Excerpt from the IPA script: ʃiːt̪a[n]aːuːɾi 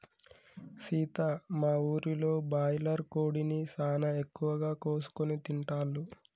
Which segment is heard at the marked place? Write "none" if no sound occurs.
m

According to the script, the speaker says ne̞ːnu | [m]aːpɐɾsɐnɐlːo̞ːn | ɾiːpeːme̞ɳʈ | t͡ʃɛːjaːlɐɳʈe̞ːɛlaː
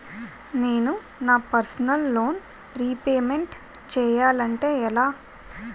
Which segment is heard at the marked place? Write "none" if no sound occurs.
n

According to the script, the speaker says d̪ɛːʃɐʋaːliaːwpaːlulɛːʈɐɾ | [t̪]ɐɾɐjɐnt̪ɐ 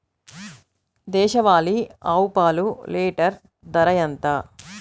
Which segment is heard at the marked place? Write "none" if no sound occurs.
d̪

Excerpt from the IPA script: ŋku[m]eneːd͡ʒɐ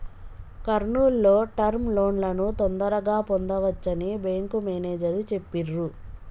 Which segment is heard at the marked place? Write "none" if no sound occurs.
m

